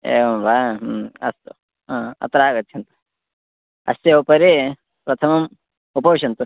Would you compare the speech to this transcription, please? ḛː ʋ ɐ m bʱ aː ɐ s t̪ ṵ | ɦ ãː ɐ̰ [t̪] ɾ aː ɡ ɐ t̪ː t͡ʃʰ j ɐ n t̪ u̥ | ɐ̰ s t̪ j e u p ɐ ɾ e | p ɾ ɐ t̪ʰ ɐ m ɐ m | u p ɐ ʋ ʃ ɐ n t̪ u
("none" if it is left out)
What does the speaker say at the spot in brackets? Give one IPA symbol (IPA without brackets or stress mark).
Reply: t̪